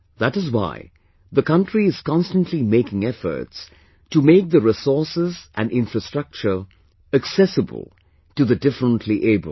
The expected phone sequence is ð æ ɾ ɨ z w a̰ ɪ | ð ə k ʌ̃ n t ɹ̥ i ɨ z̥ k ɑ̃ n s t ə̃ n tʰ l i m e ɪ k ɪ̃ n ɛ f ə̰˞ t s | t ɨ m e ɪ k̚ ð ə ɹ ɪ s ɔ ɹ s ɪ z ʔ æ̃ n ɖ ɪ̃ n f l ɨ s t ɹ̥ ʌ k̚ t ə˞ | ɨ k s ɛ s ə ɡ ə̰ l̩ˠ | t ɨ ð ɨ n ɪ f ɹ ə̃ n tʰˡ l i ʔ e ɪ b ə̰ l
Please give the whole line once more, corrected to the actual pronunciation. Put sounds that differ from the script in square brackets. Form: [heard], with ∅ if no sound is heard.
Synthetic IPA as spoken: ð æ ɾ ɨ z w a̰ ɪ | ð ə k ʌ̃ n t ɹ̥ i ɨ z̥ k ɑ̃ n s t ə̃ n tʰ l i m e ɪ k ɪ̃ [ŋ] ɛ f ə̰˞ t s | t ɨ m e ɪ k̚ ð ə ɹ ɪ s ɔ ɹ s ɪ z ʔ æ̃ n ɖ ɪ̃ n f [ɹ] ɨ s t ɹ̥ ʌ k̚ [t͡ʃ] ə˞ | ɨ k s ɛ s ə [b] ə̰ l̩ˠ | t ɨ ð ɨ [d] ɪ f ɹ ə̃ n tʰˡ l i ʔ e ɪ b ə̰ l